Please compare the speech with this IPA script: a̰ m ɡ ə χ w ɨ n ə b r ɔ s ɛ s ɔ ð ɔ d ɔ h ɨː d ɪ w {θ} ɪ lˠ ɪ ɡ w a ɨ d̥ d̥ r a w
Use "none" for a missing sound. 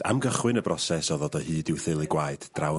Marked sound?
θ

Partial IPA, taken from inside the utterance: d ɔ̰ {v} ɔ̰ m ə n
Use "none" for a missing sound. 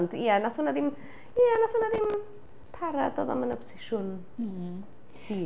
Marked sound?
ð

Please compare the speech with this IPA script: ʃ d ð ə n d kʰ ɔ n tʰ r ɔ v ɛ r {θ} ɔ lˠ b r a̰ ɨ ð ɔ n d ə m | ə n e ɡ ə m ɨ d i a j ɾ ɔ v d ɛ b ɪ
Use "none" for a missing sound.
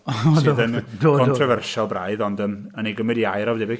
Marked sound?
ʃ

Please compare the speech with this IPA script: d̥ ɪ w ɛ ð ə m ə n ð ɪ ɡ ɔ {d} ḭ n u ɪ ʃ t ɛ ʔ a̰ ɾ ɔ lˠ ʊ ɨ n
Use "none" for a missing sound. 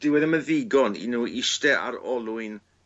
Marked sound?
n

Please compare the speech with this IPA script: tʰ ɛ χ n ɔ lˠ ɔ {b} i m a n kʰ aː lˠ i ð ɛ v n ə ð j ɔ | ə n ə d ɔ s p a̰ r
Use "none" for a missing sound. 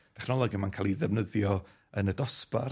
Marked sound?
ɡ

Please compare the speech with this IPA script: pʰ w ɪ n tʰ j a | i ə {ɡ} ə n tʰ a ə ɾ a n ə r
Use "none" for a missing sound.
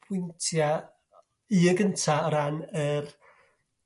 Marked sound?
ɡ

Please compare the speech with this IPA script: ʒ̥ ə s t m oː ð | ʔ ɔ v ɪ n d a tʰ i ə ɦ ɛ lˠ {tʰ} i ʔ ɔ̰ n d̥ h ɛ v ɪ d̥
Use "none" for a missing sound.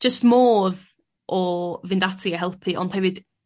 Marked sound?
pʰ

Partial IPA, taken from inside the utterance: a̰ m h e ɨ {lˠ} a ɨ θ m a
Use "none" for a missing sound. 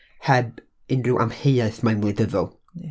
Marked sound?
none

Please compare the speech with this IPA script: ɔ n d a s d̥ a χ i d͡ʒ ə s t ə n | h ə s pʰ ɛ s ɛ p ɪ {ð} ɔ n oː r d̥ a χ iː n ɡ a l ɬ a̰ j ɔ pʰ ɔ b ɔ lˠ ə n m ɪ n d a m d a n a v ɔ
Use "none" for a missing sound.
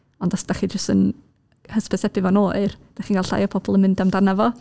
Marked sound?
v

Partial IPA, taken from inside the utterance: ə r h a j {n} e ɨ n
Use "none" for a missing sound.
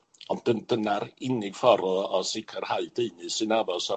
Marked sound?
d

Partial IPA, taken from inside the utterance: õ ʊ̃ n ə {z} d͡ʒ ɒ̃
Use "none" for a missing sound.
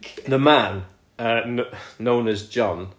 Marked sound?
z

